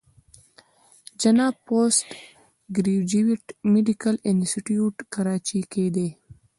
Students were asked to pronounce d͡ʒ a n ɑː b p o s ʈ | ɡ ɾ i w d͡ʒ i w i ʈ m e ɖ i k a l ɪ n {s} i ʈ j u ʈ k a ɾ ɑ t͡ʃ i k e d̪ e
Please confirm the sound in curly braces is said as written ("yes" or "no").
yes